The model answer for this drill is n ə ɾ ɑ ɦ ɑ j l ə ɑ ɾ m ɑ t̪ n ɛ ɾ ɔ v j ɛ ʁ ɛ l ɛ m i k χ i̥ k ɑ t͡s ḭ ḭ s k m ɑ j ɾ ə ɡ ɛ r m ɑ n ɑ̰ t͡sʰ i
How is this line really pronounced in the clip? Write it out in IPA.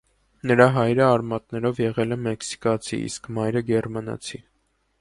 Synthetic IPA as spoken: n ə ɾ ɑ ɦ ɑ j ɾ ə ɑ ɾ m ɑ t̪ n ɛ ɾ ɔ v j ɛ ʁ ɛ l ɛ m ɛ k s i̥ k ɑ t͡sʰ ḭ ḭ s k m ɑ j ɾ ə ɡ ɛ r m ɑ n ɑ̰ t͡sʰ i